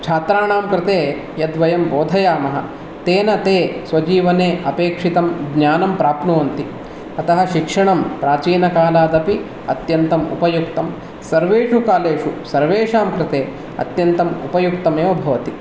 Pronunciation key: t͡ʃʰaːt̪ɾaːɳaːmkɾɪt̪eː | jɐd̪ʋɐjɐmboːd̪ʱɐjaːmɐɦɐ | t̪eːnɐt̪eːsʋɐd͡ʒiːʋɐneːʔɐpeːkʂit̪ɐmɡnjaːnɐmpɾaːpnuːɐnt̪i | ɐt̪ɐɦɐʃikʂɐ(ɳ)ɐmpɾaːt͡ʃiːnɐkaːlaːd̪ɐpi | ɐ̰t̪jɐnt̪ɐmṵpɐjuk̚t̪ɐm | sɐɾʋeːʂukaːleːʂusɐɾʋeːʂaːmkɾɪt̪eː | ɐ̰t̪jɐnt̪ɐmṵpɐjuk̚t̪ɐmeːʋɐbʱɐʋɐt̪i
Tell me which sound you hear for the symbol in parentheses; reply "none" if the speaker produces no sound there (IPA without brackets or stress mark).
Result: ɳ